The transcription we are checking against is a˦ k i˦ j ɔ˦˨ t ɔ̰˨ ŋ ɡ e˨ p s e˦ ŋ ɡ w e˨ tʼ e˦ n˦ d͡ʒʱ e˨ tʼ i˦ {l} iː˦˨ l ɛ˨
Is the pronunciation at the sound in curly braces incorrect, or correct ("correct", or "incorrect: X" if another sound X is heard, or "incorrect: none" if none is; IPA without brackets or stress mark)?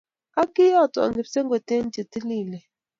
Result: correct